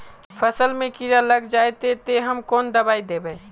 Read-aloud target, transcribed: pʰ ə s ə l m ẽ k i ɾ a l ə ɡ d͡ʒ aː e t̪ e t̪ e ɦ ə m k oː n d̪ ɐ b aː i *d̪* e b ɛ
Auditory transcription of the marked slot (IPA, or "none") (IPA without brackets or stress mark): d̪